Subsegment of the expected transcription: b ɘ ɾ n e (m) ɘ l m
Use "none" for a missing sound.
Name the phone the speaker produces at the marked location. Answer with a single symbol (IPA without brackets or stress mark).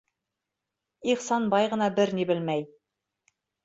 b